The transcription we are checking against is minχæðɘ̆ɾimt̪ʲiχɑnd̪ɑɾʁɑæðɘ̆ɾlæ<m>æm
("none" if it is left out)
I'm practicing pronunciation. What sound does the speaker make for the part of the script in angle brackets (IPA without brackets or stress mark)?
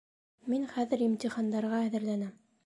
n